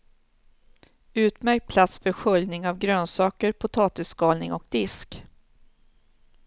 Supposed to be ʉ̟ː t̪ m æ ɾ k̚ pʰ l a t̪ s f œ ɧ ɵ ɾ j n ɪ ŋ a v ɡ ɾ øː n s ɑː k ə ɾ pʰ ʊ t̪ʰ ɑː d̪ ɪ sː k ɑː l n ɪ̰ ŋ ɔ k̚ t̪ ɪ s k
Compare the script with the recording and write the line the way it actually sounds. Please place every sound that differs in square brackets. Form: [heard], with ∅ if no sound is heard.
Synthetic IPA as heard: ʉ̟ː t̪ m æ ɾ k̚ pʰ l a t̪ s f œ ɧ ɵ [l] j n ɪ ŋ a v ɡ ɾ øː n s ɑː k ə ɾ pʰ ʊ t̪ʰ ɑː [t̪] ɪ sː k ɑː l n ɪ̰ ŋ ɔ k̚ [d̪] ɪ s k